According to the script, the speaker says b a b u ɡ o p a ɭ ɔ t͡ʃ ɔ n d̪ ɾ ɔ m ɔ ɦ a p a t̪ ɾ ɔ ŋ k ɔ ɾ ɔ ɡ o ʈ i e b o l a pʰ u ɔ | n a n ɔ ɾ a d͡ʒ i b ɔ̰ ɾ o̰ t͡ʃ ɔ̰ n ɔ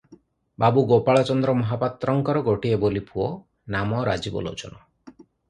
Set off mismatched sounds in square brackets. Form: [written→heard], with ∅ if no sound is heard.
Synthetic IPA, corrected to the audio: b a b u ɡ o p a ɭ ɔ t͡ʃ ɔ n d̪ ɾ ɔ m ɔ ɦ a p a t̪ ɾ ɔ ŋ k ɔ ɾ ɔ ɡ o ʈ i e b o l [a→i] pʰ u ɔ | n a [n→m] ɔ ɾ a d͡ʒ i b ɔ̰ [ɾ→l] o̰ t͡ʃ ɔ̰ n ɔ